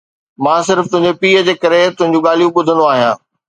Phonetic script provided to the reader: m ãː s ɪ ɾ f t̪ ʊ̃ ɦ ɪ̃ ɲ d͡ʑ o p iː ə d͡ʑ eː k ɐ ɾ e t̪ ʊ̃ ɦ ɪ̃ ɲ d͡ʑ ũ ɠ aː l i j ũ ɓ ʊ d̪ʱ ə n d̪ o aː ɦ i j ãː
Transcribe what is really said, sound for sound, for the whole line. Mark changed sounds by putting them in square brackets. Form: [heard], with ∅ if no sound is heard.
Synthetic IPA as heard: m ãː s ɪ ɾ f t̪ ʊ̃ ɦ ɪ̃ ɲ d͡ʑ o p iː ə d͡ʑ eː k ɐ ɾ e t̪ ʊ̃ ɦ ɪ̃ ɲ d͡ʑ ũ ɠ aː l i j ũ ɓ ʊ d̪ʱ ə n d̪ o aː ɦ i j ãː